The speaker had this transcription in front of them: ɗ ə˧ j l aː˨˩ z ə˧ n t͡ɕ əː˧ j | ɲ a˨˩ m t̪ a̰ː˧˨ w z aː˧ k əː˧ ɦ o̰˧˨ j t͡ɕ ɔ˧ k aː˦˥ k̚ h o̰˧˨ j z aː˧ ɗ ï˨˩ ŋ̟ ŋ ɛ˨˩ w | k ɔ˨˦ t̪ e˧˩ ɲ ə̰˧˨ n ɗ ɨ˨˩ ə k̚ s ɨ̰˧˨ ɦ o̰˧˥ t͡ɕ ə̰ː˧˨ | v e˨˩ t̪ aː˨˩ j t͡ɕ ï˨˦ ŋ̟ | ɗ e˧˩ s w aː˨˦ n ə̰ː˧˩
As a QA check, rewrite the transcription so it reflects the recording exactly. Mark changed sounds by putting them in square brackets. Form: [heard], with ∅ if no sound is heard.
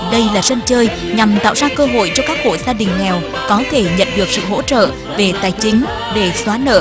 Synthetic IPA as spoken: ɗ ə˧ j l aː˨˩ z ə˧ n t͡ɕ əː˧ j | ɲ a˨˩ m t̪ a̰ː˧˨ w z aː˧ k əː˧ ɦ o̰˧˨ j t͡ɕ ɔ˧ k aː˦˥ k̚ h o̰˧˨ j z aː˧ ɗ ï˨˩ ŋ̟ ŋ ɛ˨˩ w | k ɔ˨˦ [t̪ʰ] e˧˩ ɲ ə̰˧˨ n ɗ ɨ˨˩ ə k̚ s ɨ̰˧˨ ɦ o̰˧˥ t͡ɕ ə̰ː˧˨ | v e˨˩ t̪ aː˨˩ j t͡ɕ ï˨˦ ŋ̟ | ɗ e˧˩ s w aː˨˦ n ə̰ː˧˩

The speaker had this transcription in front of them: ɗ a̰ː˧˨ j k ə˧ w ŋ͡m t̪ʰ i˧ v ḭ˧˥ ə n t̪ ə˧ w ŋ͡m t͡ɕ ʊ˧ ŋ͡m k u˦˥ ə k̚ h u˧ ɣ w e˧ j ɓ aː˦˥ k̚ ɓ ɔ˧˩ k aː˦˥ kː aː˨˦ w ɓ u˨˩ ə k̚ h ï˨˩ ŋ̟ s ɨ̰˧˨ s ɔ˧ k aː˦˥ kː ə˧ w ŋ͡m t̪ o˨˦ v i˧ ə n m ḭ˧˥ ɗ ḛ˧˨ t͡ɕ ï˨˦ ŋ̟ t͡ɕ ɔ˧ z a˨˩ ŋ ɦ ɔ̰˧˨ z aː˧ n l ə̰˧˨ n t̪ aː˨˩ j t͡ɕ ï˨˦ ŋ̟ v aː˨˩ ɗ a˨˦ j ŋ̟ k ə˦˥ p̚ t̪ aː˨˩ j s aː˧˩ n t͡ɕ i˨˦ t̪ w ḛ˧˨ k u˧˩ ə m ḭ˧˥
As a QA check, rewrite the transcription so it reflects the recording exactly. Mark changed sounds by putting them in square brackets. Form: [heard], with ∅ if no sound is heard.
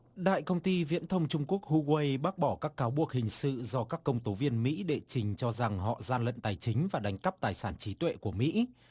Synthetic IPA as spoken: ɗ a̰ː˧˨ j k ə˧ w ŋ͡m [t̪] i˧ v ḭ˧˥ ə n [t̪ʰ] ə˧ w ŋ͡m t͡ɕ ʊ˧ ŋ͡m k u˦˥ ə k̚ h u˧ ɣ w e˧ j ɓ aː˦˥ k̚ ɓ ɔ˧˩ k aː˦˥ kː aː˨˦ w ɓ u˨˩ ə k̚ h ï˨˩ ŋ̟ s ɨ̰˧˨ [z] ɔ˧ k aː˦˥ kː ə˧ w ŋ͡m t̪ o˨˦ v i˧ ə n m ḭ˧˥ ɗ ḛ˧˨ t͡ɕ [ï˨˩] ŋ̟ t͡ɕ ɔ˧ z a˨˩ ŋ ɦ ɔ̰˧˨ z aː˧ n l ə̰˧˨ n t̪ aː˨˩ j t͡ɕ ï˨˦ ŋ̟ v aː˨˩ ɗ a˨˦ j ŋ̟ k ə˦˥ p̚ t̪ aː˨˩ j s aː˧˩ n t͡ɕ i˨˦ t̪ w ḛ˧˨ k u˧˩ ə m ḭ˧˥

